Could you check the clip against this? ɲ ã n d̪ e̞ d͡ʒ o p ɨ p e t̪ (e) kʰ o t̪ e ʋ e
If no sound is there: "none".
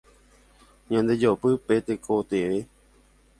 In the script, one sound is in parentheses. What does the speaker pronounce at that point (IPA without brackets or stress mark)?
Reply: e